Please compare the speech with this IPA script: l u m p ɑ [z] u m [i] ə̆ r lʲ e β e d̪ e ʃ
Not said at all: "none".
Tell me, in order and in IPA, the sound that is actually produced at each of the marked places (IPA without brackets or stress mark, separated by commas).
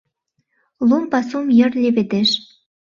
s, j